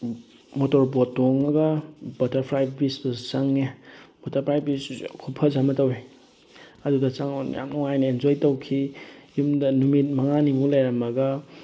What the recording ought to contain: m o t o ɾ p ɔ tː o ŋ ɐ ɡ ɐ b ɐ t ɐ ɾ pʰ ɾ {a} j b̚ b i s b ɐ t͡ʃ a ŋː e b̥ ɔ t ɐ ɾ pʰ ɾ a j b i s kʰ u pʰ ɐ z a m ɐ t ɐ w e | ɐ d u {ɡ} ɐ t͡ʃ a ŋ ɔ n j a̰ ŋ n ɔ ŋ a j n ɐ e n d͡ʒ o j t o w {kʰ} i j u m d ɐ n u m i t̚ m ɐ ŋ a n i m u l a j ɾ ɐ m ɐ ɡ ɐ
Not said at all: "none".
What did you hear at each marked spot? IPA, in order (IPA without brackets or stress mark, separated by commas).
a, d, kʰ